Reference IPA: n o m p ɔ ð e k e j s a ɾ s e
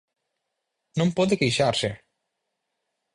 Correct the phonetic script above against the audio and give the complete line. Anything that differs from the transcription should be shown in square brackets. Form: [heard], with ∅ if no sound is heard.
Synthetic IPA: n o m p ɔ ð e k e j [ʃ] a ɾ s e